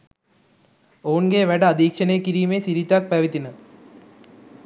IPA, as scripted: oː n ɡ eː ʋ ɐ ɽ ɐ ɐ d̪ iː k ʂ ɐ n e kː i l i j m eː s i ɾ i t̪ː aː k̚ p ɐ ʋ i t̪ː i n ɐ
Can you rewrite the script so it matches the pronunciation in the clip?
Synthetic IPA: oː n ɡ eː ʋ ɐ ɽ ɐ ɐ d̪ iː k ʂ ɐ n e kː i ɾ i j m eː s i ɾ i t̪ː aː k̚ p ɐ ʋ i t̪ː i n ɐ